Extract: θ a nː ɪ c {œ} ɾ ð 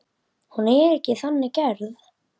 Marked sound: incorrect: ɛ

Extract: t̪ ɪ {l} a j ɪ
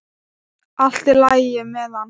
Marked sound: correct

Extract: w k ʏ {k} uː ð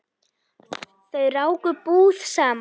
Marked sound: incorrect: p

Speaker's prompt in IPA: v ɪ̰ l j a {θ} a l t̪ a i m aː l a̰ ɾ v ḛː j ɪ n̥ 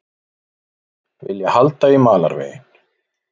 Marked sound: incorrect: h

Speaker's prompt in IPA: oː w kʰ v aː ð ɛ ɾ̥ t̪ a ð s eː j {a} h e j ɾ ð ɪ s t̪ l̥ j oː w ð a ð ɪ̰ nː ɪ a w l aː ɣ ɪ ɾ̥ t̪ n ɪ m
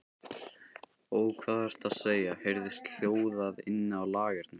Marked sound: correct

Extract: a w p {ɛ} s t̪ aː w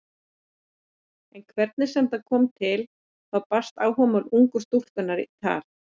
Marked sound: incorrect: a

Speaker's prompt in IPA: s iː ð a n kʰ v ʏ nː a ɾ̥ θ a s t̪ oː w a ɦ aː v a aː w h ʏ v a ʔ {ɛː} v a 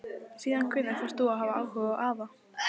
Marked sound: incorrect: aː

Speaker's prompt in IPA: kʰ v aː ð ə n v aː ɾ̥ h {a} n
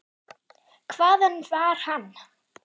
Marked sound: correct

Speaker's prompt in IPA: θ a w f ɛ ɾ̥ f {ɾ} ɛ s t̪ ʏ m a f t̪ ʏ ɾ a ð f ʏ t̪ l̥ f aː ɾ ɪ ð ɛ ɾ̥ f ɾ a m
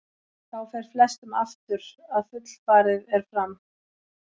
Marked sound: incorrect: l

